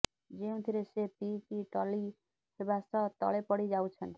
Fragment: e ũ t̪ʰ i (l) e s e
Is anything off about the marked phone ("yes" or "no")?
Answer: yes